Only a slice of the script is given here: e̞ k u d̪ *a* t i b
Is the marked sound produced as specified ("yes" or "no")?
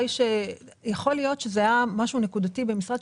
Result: yes